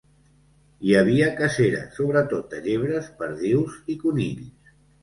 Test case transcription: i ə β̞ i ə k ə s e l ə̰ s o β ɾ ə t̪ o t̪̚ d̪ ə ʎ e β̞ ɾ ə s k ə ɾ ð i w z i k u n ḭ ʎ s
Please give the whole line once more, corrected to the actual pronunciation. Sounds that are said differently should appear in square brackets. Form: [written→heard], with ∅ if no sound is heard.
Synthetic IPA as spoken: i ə β̞ i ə k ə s e [l→ɾ] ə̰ s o β ɾ ə t̪ o t̪̚ d̪ ə ʎ e β̞ ɾ ə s [k→p] ə ɾ ð i w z i k u n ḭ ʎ s

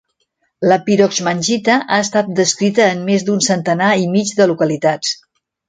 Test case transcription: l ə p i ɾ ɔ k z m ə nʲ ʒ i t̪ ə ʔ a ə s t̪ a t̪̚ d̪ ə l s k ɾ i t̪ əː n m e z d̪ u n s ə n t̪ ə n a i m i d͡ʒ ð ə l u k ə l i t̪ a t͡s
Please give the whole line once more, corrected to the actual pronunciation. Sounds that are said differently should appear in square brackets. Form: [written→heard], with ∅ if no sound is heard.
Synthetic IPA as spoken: l ə p i ɾ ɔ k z m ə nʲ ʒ i t̪ ə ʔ a ə s t̪ a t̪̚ d̪ ə [l→∅] s k ɾ i t̪ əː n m e z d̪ u n s ə n t̪ ə n a i m i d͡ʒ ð ə l u k ə l i t̪ a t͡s

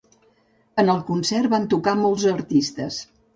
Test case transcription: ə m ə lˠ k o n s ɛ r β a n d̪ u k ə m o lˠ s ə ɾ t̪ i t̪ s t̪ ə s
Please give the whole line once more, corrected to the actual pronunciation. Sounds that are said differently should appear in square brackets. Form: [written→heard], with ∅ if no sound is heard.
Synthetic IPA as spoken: ə [m→n] ə lˠ k [o→u] n s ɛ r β a n [d̪→t̪] u k [ə→a] m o lˠ [s→z] ə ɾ t̪ i [t̪→∅] s t̪ ə s

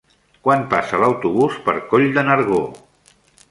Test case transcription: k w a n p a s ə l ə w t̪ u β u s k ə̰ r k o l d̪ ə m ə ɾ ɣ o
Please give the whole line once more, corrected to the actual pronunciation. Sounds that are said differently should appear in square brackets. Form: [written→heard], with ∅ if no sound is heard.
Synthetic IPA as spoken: k w a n p a s ə l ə w t̪ u β u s [k→p] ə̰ [r→ɾ] k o [l→ʎ] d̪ ə [m→n] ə ɾ ɣ o

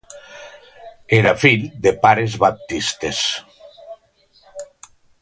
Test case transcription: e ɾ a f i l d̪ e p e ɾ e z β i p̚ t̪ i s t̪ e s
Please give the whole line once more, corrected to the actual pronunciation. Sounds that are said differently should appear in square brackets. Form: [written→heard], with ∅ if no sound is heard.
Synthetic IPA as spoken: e ɾ a f i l d̪ e p [e→a] ɾ e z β [i→a] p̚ t̪ i s t̪ e s

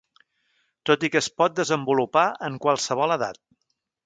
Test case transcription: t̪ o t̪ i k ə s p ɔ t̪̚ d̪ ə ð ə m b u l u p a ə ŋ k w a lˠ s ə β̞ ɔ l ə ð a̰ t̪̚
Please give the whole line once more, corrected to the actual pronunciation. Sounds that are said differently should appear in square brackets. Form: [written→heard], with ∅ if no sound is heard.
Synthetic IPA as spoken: t̪ o t̪ i k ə s p ɔ t̪̚ d̪ ə [ð→z] ə m b u l u p a ə ŋ k w a lˠ s ə β̞ ɔ l ə ð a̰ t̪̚

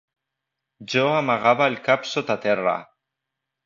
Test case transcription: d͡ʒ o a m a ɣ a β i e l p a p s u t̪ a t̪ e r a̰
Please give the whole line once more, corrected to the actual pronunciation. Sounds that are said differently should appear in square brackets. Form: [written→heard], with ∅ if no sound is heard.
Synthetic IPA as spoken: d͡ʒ o a m a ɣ a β [i→a] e l [p→k] a p s [u→o] t̪ a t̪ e r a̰

